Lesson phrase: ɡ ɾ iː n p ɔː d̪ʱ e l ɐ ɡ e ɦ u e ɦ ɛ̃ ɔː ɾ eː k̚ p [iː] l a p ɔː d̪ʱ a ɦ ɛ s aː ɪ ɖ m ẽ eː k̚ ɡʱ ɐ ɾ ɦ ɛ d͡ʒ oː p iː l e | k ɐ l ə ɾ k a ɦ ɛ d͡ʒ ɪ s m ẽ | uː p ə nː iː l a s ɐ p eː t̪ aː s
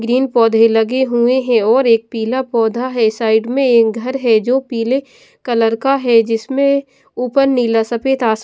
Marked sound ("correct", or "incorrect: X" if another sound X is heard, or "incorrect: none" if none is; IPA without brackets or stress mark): correct